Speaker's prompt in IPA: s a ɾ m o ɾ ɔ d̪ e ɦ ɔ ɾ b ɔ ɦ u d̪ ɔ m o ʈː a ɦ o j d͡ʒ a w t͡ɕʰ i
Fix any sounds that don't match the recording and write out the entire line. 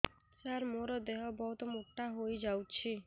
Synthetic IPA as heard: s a ɾ m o ɾ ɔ d̪ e ɦ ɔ b ɔ ɦ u t̪ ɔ m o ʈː a ɦ o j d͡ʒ a w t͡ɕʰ i